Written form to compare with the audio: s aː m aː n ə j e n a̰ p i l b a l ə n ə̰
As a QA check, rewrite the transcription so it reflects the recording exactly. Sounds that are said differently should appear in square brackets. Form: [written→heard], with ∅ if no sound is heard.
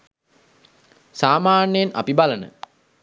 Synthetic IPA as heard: s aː m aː n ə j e n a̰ p i [l→∅] b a l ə n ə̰